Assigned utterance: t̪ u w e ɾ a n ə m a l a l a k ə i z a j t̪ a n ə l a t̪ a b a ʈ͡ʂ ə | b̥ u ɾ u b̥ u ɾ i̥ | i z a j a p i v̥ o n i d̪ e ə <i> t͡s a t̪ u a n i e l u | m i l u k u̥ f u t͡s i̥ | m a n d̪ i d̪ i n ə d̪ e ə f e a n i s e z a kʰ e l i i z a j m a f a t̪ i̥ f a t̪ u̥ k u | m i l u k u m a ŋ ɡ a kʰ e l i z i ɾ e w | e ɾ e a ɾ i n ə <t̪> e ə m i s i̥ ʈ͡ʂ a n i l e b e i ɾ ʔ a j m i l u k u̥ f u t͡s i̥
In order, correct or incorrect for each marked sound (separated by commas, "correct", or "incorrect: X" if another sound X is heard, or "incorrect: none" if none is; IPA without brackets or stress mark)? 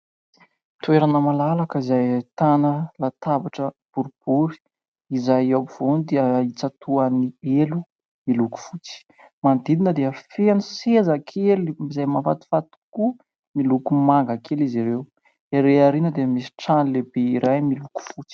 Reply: correct, incorrect: d̪